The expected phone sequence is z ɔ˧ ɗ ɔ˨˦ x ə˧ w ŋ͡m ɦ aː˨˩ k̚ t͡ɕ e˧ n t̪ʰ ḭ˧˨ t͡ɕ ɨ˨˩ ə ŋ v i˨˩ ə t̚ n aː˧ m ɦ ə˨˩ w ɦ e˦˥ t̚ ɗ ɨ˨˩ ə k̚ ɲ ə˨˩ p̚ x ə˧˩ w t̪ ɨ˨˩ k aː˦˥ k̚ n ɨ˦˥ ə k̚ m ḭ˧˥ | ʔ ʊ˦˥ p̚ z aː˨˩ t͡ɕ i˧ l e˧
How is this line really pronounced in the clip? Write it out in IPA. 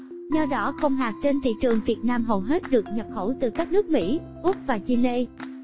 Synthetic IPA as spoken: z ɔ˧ ɗ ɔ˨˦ x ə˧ w ŋ͡m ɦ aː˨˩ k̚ t͡ɕ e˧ n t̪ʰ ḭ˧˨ t͡ɕ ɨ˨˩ ə ŋ v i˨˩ ə t̚ n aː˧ m ɦ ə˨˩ w ɦ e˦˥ t̚ ɗ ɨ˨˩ ə k̚ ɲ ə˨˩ p̚ x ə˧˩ w t̪ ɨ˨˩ k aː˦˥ k̚ n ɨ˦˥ ə k̚ m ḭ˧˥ | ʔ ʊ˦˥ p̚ v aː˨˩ t͡ɕ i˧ l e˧